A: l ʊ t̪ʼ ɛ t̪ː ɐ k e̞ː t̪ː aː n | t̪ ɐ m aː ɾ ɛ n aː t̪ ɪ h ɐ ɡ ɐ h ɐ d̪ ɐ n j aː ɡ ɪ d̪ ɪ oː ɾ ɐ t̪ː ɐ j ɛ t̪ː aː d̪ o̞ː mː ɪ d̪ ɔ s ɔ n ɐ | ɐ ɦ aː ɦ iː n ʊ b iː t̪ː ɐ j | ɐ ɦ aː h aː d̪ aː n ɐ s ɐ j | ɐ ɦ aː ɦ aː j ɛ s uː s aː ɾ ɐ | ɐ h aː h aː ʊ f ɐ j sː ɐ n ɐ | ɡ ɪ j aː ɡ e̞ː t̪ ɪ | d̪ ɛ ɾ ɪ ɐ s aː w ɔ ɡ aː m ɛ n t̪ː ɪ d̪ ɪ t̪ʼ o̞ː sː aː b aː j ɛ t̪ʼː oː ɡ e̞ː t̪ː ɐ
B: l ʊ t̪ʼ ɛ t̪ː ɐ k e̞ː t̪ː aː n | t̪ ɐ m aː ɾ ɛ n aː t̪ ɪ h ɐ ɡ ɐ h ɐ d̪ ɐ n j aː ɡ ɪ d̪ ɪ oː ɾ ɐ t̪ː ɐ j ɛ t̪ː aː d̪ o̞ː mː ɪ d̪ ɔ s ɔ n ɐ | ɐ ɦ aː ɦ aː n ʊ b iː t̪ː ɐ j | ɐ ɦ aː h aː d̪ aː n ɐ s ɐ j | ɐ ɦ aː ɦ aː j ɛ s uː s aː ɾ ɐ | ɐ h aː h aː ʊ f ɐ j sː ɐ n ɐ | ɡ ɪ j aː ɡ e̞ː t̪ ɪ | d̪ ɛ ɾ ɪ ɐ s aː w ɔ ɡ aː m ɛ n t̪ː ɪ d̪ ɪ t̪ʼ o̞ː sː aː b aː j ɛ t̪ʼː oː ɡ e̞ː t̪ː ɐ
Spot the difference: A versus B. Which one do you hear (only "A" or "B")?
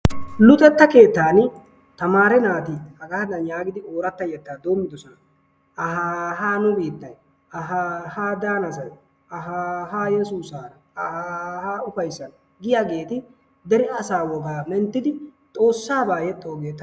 B